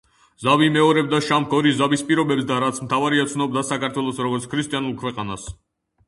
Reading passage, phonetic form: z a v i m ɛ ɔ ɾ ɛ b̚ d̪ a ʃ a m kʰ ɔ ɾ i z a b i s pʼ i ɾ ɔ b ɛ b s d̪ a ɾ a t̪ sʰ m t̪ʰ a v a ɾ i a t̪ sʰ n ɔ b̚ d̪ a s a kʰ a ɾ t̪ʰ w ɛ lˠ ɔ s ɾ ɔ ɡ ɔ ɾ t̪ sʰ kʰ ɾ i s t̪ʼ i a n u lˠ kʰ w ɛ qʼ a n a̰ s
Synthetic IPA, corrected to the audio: z a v i m ɛ ɔ ɾ ɛ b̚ d̪ a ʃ a m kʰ ɔ ɾ i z a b i s pʼ i ɾ ɔ b ɛ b s d̪ a ɾ a t̪ sʰ m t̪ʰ a v a ɾ i a t̪ sʰ n ɔ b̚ d̪ a s a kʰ a ɾ t̪ʰ w ɛ lˠ ɔ s ɾ ɔ ɡ ɔ ɾ t̪ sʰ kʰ ɾ i s t̪ʼ i a n u lˠ kʰ w ɛ qʼ a n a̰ s